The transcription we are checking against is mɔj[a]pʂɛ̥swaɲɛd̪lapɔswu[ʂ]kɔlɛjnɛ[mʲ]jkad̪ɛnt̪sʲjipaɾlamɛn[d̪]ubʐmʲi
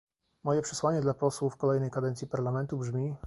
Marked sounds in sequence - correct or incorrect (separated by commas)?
incorrect, incorrect, incorrect, incorrect